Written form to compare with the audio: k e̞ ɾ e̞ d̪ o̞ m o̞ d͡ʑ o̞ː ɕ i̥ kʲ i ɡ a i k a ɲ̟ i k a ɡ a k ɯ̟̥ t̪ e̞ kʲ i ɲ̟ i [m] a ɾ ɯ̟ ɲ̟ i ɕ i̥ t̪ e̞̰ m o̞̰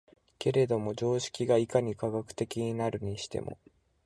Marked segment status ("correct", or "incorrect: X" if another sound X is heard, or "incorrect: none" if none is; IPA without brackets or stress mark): incorrect: n